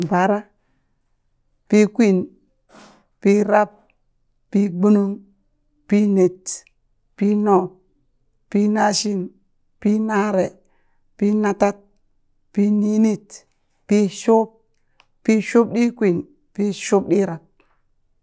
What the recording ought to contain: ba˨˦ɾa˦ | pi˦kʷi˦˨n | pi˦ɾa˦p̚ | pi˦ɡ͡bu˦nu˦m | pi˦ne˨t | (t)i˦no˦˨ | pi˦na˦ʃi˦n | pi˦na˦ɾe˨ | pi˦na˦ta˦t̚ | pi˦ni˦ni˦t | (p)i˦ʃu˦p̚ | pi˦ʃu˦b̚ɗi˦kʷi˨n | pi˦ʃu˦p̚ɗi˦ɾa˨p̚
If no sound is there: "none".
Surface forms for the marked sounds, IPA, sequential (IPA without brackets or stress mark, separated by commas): p, p